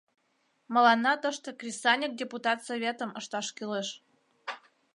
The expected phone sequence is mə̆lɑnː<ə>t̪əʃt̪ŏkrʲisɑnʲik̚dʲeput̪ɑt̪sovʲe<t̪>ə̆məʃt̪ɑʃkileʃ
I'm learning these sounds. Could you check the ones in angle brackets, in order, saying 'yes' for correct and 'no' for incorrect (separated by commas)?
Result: no, yes